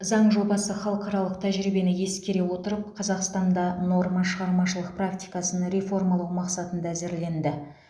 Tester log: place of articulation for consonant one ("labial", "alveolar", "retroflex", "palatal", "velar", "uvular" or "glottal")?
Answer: alveolar